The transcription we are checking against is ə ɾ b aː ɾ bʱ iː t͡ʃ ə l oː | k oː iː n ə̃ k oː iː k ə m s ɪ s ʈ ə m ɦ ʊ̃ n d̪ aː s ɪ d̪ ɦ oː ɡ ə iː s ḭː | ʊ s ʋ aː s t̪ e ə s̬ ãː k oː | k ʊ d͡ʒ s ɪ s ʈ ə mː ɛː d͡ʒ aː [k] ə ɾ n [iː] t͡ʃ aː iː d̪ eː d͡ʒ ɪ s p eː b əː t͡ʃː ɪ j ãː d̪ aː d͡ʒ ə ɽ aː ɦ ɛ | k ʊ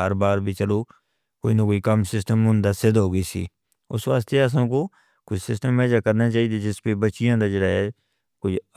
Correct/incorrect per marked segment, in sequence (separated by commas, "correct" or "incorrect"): correct, incorrect